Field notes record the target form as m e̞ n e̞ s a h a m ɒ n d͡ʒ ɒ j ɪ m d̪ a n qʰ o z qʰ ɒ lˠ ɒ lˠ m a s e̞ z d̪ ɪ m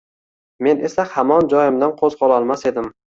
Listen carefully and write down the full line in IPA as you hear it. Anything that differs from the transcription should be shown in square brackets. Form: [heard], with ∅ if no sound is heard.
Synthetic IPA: m e̞ n e̞ s a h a m ɒ n d͡ʒ ɒ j ɪ m d̪ a n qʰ o z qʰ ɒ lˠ ɒ lˠ m a s e̞ [∅] d̪ ɪ m